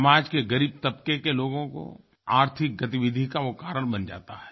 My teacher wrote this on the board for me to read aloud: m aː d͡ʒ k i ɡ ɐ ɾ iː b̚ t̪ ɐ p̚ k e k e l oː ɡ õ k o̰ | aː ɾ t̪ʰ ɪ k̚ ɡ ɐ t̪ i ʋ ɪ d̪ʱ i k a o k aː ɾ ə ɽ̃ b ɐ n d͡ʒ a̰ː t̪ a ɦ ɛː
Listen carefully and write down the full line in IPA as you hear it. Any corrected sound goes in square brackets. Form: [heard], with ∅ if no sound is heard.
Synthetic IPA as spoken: m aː d͡ʒ k [e] ɡ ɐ ɾ iː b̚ t̪ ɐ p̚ k e k e l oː ɡ õ k o̰ | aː ɾ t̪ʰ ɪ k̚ ɡ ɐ t̪ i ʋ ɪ d̪ʱ i k a o k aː ɾ ə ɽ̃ b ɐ n d͡ʒ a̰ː t̪ a ɦ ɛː